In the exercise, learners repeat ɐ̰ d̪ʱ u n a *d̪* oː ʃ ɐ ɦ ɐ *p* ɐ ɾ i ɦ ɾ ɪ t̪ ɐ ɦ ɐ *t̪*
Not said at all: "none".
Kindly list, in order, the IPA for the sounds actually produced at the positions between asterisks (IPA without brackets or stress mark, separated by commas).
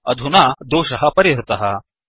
d̪, p, none